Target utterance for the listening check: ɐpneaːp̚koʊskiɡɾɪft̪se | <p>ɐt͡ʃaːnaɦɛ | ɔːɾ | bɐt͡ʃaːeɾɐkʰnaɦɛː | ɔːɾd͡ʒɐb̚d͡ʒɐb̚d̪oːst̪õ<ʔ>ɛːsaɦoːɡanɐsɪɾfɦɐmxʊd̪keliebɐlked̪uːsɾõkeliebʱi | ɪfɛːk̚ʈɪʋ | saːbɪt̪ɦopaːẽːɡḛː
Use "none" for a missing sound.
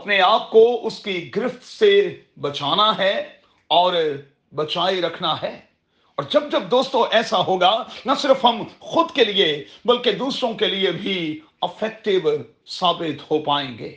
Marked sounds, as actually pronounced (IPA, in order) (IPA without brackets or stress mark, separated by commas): b, ʔ